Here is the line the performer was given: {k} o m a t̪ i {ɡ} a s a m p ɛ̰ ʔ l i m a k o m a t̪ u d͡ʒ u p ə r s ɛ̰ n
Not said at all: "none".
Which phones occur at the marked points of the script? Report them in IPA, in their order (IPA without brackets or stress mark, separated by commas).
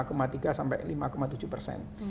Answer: k, ɡ